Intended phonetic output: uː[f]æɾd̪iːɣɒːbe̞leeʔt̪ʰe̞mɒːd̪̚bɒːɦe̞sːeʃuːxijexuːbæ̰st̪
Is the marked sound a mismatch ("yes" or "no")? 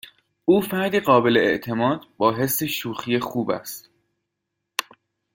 no